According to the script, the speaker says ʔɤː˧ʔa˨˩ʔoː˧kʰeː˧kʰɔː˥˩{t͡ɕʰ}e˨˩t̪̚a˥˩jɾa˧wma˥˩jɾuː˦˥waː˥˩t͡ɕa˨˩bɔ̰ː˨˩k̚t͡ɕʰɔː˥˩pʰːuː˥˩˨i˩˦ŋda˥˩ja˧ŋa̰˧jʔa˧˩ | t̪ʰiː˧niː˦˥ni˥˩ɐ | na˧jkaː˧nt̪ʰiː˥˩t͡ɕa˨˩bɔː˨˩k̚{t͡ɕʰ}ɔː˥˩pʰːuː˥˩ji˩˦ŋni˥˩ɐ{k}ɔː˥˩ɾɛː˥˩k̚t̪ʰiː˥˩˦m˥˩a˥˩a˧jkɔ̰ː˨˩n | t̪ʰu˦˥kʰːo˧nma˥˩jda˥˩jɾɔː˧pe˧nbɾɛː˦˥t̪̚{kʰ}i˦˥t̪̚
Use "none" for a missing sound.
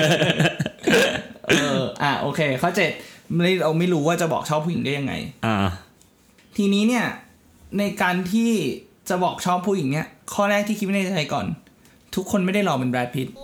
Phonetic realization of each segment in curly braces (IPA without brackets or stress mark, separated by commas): t͡ɕ, t͡ɕʰ, kʰ, pʰ